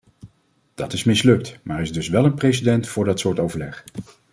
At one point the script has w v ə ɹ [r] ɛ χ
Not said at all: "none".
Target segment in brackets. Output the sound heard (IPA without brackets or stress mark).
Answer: l